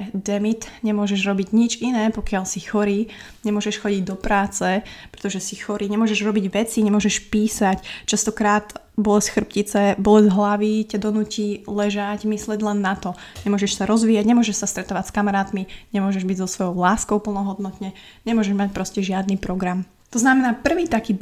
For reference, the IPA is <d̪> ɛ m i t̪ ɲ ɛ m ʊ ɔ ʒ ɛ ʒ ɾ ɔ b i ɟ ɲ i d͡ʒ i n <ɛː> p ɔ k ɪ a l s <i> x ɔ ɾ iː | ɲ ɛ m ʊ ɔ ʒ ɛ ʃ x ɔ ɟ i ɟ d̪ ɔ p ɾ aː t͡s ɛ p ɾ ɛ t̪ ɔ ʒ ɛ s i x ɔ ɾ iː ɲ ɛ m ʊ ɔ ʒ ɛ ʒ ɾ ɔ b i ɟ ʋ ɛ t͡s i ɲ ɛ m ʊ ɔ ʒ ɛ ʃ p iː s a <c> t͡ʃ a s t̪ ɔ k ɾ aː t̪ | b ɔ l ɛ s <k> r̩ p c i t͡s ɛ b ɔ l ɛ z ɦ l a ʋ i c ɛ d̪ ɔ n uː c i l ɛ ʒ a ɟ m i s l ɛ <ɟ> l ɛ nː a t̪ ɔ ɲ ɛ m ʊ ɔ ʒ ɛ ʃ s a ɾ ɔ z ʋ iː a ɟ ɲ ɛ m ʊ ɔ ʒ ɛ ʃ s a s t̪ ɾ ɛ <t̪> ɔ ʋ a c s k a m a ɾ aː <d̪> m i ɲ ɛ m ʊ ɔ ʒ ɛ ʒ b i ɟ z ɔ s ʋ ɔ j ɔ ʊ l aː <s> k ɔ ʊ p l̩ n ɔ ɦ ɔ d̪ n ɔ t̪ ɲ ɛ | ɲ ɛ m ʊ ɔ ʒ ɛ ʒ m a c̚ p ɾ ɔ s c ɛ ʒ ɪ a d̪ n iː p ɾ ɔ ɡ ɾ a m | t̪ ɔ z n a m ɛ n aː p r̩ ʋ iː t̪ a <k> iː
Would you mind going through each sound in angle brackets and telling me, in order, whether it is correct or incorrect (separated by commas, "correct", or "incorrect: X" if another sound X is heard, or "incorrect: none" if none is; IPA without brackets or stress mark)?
correct, correct, correct, correct, incorrect: x, correct, correct, incorrect: t̪, correct, correct